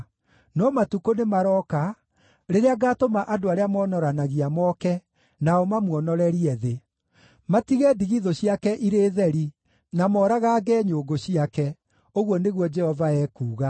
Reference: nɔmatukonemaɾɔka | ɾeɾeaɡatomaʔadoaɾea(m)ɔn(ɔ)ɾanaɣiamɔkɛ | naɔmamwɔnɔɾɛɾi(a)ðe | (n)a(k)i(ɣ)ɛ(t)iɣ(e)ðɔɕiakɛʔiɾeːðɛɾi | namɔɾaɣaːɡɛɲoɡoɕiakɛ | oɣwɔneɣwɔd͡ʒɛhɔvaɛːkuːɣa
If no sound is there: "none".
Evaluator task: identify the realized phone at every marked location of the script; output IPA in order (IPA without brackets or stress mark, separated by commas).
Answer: m, ɔ, ɛ, m, t, ɣ, d, i